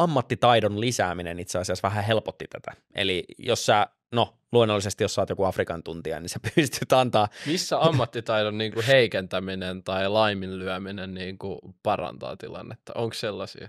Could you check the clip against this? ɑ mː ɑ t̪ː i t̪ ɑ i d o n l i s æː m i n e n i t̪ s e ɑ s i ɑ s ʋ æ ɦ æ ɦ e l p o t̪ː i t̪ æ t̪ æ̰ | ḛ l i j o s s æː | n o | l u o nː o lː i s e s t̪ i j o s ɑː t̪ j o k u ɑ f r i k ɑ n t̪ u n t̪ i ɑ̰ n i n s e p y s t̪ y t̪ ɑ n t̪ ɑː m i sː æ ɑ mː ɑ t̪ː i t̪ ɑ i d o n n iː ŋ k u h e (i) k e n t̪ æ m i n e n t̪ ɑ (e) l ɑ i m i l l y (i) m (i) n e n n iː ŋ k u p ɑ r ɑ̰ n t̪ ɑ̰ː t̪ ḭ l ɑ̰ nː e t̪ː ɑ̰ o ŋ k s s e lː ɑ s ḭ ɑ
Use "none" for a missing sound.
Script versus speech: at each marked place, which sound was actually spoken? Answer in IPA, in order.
i, i, æ, i

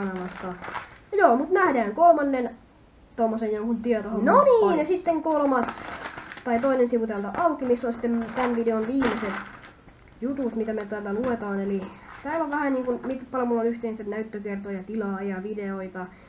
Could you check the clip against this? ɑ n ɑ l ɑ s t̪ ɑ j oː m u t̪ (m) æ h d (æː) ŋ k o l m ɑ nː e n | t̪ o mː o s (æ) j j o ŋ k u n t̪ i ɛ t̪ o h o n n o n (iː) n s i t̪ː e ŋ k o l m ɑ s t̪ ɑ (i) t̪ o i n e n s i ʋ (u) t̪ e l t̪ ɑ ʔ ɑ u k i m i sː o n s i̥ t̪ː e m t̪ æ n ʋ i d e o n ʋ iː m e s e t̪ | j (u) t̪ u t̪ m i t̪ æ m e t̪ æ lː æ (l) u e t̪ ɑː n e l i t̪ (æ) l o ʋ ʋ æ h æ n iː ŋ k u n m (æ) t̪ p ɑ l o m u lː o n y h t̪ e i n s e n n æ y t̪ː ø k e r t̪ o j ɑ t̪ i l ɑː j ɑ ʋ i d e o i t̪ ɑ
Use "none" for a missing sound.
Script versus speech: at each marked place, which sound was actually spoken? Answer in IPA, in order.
n, æː, e, iː, i, u, u, l, æː, i

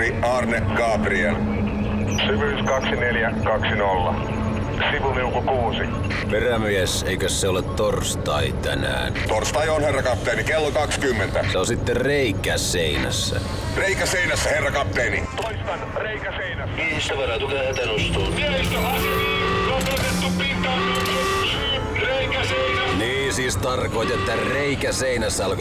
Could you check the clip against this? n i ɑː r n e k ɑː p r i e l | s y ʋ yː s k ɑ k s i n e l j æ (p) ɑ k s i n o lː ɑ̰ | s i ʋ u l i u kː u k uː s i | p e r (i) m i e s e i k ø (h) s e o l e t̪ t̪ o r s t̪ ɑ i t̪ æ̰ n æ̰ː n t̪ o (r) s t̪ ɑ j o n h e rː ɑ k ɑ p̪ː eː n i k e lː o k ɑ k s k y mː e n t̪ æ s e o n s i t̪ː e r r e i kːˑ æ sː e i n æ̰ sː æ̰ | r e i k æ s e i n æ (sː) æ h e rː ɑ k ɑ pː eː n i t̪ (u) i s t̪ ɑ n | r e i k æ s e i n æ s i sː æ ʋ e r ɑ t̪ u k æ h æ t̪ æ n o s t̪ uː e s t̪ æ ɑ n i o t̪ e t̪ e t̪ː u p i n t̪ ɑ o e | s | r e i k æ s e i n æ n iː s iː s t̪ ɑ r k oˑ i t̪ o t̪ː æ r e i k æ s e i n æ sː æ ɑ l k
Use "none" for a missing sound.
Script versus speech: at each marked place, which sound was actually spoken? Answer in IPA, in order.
k, æ, s, r, sː, o

